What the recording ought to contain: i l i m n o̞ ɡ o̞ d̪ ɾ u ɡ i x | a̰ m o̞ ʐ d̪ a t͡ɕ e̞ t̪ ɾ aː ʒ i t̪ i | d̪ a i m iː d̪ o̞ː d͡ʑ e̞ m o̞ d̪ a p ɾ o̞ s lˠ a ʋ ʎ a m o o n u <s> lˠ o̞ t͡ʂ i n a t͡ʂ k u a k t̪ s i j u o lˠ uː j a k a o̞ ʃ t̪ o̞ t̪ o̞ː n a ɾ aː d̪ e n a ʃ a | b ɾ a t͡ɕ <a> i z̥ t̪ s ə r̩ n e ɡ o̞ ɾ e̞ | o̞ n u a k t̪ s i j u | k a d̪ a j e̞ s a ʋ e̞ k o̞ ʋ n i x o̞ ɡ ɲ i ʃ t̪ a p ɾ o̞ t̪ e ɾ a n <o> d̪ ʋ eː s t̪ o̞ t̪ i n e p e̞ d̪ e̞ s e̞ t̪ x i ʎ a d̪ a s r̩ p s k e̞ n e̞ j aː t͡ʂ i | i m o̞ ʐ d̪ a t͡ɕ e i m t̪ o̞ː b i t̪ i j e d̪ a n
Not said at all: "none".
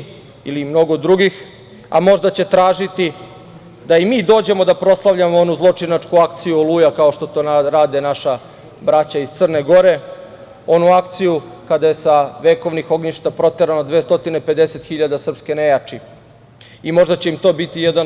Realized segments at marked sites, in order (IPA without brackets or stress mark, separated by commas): z, a, o